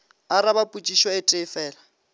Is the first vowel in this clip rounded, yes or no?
no